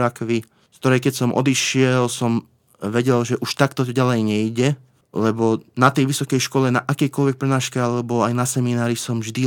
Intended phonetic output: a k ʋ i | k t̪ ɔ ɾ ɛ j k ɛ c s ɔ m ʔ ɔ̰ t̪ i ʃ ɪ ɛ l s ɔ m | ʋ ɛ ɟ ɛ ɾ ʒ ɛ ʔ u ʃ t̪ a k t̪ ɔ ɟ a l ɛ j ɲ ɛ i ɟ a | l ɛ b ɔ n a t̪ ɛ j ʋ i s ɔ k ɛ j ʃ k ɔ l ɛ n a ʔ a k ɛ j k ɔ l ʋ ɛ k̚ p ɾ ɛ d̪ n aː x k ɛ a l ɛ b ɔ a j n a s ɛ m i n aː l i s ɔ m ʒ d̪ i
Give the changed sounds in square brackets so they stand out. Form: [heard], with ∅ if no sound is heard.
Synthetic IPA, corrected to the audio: a k ʋ i | k t̪ ɔ ɾ ɛ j k ɛ c s ɔ m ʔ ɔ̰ [d̪] i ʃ ɪ ɛ l s ɔ m | ʋ ɛ ɟ ɛ [l] ʒ ɛ ʔ u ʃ t̪ a k t̪ ɔ ɟ a l ɛ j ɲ ɛ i ɟ [ɛ] | l ɛ b ɔ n a t̪ ɛ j ʋ i s ɔ k ɛ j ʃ k ɔ l ɛ n a ʔ a k ɛ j k ɔ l ʋ ɛ k̚ p ɾ ɛ [∅] n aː [ʃ] k ɛ a l ɛ b ɔ a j n a s ɛ m i n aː [ɾ] i s ɔ m ʒ d̪ i